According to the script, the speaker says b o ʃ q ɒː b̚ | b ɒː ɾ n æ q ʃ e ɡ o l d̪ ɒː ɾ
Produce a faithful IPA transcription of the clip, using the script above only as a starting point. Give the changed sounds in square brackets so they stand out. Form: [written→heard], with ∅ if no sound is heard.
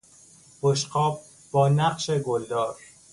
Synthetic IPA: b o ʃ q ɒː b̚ | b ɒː [ɾ→∅] n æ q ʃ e ɡ o l d̪ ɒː ɾ